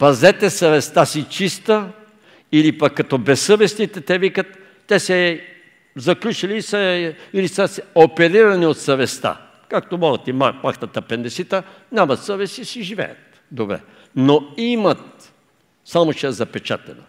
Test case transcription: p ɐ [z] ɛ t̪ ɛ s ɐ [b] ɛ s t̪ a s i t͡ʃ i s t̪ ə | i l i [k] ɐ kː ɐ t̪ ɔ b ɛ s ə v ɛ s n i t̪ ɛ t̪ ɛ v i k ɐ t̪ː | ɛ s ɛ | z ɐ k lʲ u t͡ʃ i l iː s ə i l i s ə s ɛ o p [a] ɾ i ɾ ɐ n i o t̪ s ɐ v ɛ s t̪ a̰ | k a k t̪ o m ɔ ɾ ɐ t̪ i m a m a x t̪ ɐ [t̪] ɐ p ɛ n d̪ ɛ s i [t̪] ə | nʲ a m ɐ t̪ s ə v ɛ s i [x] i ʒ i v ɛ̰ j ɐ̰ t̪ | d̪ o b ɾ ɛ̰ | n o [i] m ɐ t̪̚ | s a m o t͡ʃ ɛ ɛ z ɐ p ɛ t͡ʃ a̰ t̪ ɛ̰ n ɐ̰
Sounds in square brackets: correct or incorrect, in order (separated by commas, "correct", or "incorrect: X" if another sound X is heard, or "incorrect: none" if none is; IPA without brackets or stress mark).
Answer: correct, incorrect: v, incorrect: p, incorrect: ɛ, correct, correct, incorrect: s, correct